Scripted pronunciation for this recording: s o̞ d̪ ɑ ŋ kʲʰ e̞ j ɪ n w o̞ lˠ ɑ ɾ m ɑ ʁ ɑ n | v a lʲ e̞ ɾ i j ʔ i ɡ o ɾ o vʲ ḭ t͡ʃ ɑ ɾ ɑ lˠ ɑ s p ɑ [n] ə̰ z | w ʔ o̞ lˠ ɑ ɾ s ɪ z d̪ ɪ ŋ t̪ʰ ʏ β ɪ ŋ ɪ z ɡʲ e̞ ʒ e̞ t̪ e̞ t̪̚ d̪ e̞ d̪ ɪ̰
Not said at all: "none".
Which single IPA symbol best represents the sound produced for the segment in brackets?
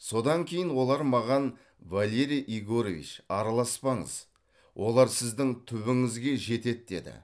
ɴ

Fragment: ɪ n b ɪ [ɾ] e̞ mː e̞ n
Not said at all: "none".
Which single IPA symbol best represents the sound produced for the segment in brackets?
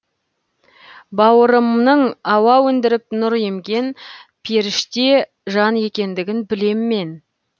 l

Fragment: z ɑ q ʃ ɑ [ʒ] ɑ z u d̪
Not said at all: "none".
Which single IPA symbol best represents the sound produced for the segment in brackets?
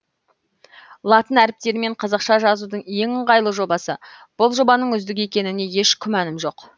ʒ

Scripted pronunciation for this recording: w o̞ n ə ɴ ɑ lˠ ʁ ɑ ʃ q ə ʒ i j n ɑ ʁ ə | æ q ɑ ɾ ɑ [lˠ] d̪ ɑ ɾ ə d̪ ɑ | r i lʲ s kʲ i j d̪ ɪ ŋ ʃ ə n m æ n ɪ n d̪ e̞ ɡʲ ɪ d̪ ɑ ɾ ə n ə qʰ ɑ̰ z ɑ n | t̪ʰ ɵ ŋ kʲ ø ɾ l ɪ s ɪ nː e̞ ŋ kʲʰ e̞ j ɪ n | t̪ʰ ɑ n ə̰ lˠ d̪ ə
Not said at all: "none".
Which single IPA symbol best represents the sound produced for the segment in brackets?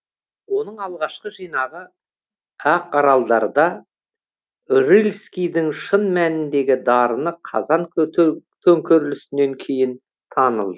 lˠ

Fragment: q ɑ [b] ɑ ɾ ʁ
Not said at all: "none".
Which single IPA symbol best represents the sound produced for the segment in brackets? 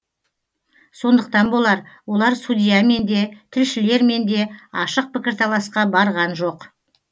b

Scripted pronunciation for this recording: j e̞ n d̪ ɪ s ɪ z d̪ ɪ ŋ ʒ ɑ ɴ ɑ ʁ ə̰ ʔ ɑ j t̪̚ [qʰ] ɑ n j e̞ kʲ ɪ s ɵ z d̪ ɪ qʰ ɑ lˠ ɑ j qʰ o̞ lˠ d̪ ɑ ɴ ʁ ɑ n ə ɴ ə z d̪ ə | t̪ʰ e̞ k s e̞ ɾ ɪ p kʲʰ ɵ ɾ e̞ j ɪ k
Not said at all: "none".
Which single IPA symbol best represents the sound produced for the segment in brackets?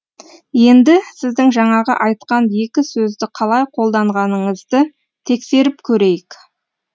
q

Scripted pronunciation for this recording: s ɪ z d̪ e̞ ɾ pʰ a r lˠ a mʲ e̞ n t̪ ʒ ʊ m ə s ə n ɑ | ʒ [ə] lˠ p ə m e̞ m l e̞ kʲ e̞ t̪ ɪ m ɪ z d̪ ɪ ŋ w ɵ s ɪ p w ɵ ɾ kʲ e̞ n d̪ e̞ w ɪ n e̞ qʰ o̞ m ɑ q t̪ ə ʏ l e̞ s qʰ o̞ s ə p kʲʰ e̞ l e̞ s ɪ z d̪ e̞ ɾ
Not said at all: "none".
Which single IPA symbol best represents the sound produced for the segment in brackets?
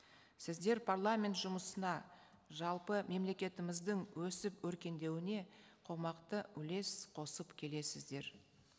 ɑ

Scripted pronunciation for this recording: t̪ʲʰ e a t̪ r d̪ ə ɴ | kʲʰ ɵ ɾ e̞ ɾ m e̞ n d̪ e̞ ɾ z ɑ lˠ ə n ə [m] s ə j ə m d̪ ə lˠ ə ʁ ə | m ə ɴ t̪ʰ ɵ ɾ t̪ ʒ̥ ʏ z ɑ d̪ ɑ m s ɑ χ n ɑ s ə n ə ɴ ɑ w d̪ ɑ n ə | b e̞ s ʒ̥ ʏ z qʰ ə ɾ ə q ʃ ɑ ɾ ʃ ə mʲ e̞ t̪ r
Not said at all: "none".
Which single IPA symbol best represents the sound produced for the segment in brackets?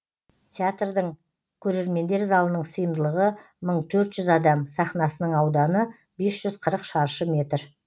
ɴ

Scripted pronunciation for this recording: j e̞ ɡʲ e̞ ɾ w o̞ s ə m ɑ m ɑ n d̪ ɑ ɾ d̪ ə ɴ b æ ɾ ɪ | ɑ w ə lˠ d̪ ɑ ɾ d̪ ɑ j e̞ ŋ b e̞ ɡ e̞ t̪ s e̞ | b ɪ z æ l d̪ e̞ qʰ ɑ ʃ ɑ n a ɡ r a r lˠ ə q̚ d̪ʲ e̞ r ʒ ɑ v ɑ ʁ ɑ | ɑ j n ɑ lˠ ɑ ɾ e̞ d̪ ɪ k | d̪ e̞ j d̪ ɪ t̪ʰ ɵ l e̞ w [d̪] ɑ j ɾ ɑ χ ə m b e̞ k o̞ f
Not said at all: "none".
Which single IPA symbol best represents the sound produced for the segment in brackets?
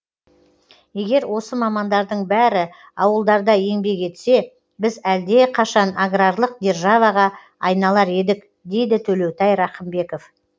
t̪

